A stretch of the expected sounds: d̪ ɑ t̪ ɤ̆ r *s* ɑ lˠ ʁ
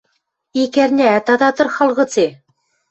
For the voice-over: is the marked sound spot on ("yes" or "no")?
no